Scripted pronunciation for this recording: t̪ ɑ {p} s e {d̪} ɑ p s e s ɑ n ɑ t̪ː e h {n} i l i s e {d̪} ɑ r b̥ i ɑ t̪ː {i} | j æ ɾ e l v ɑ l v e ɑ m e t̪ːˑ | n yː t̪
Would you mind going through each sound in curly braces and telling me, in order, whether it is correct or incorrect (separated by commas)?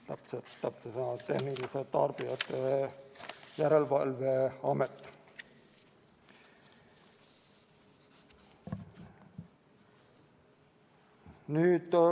correct, incorrect, correct, incorrect, incorrect